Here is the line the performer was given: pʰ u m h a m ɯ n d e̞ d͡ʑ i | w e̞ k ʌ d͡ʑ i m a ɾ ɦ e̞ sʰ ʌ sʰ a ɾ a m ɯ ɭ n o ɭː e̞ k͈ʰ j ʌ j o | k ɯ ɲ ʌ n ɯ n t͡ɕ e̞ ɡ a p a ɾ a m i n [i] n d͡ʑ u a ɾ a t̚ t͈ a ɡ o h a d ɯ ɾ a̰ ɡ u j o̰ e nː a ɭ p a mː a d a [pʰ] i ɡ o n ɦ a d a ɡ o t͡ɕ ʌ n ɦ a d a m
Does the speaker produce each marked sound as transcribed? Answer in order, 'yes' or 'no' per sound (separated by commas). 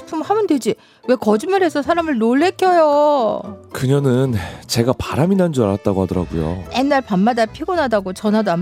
no, yes